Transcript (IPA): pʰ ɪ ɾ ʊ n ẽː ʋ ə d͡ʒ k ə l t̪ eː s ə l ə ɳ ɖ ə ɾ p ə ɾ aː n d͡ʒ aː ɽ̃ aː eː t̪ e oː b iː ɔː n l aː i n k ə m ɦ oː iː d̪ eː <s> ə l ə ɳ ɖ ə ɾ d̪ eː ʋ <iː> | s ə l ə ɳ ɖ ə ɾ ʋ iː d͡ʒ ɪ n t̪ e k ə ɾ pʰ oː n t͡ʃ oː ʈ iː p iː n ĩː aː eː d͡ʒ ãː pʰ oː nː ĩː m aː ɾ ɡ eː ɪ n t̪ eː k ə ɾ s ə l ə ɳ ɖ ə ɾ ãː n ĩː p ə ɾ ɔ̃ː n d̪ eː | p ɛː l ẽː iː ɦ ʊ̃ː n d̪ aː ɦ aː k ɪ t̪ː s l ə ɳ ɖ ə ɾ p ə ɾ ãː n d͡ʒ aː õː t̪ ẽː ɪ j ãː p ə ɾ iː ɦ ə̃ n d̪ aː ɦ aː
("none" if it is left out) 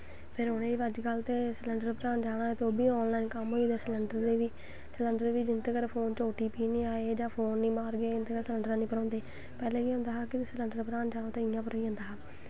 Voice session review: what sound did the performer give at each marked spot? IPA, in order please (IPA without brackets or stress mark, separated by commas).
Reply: s, iː